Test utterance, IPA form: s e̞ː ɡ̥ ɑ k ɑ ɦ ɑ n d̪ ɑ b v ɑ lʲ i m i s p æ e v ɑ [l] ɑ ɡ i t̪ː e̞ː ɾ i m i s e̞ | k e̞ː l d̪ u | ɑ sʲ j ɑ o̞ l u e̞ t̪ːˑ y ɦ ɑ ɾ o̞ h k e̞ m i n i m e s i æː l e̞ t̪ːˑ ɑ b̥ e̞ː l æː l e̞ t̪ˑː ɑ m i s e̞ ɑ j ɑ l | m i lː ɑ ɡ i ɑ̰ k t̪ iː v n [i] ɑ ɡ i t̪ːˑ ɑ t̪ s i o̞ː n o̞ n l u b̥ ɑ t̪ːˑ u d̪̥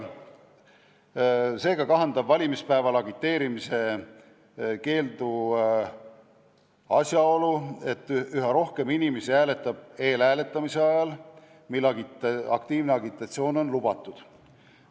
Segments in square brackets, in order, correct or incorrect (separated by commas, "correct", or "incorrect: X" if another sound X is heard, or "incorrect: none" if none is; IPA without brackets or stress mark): correct, incorrect: e